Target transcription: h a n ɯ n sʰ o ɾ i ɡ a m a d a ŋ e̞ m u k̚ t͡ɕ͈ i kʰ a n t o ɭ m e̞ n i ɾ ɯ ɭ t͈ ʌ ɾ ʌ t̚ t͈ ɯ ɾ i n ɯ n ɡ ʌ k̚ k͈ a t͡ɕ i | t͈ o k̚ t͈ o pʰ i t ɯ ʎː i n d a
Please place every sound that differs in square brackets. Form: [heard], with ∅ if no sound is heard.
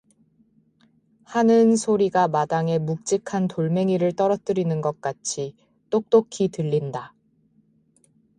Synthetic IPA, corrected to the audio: h a n ɯ n sʰ o ɾ i ɡ a m a d a ŋ e̞ m u k̚ t͡ɕ͈ i kʰ a n t o ɭ m e̞ [ŋ] i ɾ ɯ ɭ t͈ ʌ ɾ ʌ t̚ t͈ ɯ ɾ i n ɯ n ɡ ʌ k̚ k͈ a [t͡ɕʰ] i | t͈ o k̚ t͈ o [kʰ] i t ɯ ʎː i n d a

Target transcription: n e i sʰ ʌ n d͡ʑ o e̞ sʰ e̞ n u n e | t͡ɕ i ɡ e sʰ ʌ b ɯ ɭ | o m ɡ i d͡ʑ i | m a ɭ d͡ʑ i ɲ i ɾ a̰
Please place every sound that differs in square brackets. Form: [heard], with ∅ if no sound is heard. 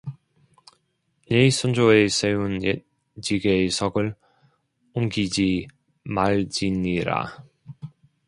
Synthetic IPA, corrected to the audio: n e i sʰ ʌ n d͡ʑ o e̞ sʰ e̞ [∅] u n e | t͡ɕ i ɡ e sʰ ʌ [ɡ] ɯ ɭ | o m ɡ i d͡ʑ i | m a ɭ d͡ʑ i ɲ i ɾ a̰

